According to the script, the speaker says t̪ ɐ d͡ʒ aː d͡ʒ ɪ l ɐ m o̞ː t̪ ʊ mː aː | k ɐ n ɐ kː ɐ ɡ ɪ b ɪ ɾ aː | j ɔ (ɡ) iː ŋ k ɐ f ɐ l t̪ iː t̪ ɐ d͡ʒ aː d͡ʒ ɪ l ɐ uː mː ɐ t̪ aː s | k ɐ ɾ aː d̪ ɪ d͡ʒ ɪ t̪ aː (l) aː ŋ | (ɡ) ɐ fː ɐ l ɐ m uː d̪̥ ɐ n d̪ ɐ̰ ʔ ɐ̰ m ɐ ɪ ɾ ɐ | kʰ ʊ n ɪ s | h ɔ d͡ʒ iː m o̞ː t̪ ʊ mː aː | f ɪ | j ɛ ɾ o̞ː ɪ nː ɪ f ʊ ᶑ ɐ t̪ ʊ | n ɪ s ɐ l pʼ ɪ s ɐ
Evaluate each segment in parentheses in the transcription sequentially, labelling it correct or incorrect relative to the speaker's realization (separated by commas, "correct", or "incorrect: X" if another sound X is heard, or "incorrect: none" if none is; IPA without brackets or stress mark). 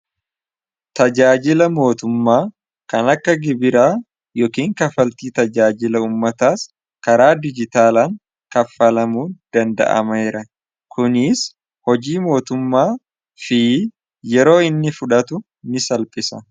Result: incorrect: k, correct, incorrect: k